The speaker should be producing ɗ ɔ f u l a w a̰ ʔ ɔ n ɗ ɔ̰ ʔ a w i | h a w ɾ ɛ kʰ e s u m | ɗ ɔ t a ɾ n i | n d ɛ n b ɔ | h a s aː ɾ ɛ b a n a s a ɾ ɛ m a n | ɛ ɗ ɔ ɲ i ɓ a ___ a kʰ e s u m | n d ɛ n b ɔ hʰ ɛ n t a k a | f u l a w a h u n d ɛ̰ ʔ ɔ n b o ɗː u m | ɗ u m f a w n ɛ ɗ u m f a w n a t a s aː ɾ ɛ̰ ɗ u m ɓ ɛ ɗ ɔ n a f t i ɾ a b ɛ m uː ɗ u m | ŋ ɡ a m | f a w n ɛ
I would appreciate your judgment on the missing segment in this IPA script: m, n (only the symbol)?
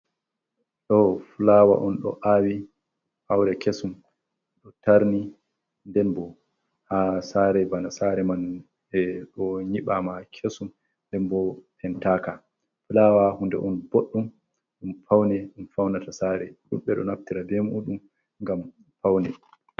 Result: m